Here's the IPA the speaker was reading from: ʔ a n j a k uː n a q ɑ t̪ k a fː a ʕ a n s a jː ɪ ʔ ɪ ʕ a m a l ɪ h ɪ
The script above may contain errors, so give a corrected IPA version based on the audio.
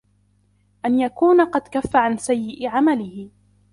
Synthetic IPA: ʔ a n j a k uː n a q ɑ d̪ k a fː a ʕ a n s a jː ɪ ʔ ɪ ʕ a m a l ɪ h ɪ

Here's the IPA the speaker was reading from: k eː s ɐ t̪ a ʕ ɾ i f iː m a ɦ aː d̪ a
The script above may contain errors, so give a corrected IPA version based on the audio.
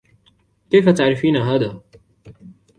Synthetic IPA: k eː f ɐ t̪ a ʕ ɾ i f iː n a ɦ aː d̪ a

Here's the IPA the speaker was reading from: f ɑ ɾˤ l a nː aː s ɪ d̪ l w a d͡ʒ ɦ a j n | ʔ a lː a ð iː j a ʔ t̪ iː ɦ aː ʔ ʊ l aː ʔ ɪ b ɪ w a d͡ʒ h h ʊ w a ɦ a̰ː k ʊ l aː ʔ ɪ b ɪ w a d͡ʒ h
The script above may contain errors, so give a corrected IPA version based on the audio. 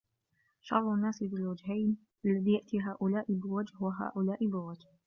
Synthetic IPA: ʃ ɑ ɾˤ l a nː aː s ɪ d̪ l w a d͡ʒ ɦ a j n | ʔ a lː a ð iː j a ʔ t̪ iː ɦ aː ʔ ʊ l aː ʔ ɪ b ɪ w a d͡ʒ h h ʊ w a ɦ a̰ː ʔ ʊ l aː ʔ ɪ b ɪ w a d͡ʒ h

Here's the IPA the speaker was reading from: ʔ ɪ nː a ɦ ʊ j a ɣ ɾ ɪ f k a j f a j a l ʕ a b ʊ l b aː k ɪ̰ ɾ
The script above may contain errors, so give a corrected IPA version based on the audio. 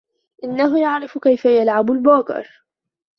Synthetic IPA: ʔ ɪ nː a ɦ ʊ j a ʕ ɾ ɪ f k a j f a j a l ʕ a b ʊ l b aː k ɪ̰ ɾ

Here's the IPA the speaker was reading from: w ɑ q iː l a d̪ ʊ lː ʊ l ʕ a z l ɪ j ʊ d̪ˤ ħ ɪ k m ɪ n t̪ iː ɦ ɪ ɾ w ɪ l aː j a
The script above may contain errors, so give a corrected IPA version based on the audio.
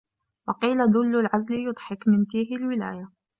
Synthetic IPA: w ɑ q iː l a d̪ ʊ lː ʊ l ʕ a z l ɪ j ʊ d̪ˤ ħ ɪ k m ɪ n t̪ iː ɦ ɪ l w ɪ l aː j a

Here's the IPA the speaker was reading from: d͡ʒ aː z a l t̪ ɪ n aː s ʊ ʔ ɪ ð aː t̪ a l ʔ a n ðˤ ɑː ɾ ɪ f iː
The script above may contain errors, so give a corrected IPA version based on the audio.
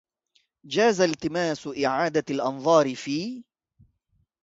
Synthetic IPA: d͡ʒ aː z a l t̪ ɪ m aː s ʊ ʔ ɪ ʕ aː d̪ a l ʔ ɑ n ðˤ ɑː ɾ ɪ f iː

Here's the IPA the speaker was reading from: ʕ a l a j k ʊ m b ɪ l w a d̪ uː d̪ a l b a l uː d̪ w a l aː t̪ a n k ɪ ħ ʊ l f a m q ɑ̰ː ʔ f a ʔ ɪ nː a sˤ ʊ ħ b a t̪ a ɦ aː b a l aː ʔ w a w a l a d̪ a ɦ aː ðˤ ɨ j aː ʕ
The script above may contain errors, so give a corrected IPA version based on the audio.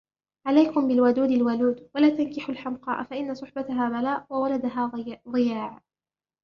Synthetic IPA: ʕ a l a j k ʊ m b ɪ l w a d̪ uː d̪ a l w a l uː d̪ w a l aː t̪ a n k ɪ ħ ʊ l ħ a m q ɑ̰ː ʔ f a ʔ ɪ nː a sˤ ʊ ħ b a t̪ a ɦ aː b a l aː ʔ w a w a l a d̪ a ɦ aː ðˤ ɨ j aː ʕ

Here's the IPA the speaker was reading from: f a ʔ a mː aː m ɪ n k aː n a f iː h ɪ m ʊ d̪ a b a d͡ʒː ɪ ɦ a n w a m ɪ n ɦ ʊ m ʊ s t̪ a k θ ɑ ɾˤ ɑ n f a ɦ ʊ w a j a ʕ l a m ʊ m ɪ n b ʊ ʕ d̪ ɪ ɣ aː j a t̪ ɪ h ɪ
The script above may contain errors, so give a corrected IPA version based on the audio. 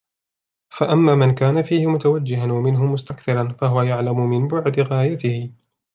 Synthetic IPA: f a ʔ a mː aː m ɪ n k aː n a f iː h ɪ m ʊ t̪ a w a d͡ʒː ɪ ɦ a n w a m ɪ n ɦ ʊ m ʊ s t̪ a k θ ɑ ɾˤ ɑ n f a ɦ ʊ w a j a ʕ l a m ʊ m ɪ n b ʊ ʕ d̪ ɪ ɣ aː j a t̪ ɪ h ɪ

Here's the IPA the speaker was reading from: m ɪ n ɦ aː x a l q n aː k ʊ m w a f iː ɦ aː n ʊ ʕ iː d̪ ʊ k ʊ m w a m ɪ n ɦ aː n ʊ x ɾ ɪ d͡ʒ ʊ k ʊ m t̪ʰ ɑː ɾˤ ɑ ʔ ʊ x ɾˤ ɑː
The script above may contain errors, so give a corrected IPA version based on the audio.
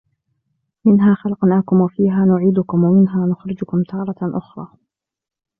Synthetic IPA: m ɪ n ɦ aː x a l q n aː k ʊ m w a f iː ɦ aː n ʊ ʕ iː d̪ ʊ k ʊ m w a m ɪ n ɦ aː n ʊ x ɾ ɪ d͡ʒ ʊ k ʊ m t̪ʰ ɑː ɾˤ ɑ ʔ ʊ x ɾˤ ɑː

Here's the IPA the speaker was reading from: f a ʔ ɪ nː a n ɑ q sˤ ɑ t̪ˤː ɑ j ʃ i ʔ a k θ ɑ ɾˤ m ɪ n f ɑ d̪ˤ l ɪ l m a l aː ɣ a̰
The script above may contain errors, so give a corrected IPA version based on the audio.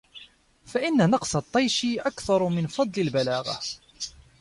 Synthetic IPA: f a ʔ ɪ nː a n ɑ q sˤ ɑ t̪ˤː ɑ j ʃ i ʔ a k θ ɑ ɾˤ m ɪ n f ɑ d̪ˤ l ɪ l b a l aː ɣ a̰

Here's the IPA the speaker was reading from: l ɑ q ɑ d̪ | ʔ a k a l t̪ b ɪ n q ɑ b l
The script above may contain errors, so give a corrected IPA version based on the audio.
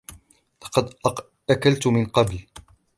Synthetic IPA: l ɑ q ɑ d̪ | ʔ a k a l t̪ m ɪ n q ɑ b l

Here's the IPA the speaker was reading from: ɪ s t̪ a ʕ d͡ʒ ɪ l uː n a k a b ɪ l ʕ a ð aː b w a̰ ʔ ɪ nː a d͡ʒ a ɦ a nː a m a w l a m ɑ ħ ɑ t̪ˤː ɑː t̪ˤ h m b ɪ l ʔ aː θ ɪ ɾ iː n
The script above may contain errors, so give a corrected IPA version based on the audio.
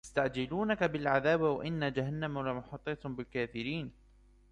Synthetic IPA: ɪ s t̪ a ʕ d͡ʒ ɪ l uː n a k a b ɪ l ʕ a ð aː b w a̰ ʔ ɪ nː a d͡ʒ a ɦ a nː a m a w l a m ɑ ħ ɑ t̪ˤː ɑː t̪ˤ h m b ɪ l k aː θ ɪ ɾ iː n

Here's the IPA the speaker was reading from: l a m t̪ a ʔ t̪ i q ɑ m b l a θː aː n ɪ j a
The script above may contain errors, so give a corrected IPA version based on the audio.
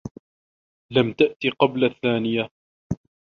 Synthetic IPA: l a m t̪ a ʔ t̪ i q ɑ b l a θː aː n ɪ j a

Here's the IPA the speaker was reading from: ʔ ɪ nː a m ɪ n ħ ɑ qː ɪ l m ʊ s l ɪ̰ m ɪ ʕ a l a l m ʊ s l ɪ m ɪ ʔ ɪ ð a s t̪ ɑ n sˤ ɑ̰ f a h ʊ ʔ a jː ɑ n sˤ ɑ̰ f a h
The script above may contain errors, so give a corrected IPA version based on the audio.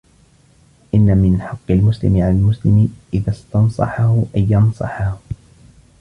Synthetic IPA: ʔ ɪ nː a m ɪ n ħ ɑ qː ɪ l m ʊ s l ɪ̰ m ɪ ʕ a l a l m ʊ s l ɪ m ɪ ʔ ɪ ð a s t̪ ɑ n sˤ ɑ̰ ħ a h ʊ ʔ a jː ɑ n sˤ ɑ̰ ħ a h

